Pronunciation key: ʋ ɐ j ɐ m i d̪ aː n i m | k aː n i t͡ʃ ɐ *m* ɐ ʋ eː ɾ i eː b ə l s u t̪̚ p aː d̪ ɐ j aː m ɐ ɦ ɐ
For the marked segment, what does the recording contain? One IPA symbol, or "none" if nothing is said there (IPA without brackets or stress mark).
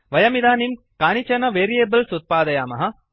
n